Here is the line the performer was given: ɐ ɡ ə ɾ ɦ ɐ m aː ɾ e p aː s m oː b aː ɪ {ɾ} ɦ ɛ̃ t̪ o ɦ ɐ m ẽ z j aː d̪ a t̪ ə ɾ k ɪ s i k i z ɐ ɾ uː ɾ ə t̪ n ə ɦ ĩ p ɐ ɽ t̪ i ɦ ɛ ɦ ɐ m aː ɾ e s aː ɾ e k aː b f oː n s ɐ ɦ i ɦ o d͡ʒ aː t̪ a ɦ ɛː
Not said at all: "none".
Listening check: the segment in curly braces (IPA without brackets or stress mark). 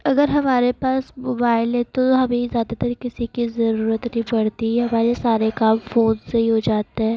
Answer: l